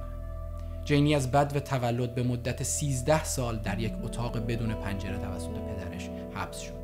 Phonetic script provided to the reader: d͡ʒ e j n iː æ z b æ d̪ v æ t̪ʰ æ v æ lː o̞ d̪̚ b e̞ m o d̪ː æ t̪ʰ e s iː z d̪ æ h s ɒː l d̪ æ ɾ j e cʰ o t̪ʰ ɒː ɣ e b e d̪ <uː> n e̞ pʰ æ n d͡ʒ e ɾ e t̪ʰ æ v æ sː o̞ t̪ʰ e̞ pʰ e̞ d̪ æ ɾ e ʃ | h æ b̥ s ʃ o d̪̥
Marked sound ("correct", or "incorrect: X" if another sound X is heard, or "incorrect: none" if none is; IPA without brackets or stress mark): correct